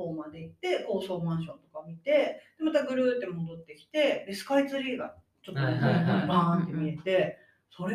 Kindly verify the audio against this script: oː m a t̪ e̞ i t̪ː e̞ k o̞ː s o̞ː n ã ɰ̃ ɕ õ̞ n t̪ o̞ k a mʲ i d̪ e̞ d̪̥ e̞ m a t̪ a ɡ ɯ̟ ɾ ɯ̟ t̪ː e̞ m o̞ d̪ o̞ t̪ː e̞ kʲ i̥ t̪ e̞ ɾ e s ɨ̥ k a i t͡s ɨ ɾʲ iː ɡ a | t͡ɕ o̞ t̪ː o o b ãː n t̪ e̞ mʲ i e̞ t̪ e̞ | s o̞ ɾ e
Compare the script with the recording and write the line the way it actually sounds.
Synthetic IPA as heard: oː m a d̪ e̞ i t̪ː e̞ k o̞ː s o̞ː m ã ɰ̃ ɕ õ̞ n t̪ o̞ k a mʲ i t̪ e̞ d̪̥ e̞ m a t̪ a ɡ ɯ̟ ɾ ɯ̟ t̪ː e̞ m o̞ d̪ o̞ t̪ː e̞ kʲ i̥ t̪ e̞ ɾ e s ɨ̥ k a i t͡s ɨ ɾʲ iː ɡ a | t͡ɕ o̞ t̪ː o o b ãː n t̪ e̞ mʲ i e̞ t̪ e̞ | s o̞ ɾ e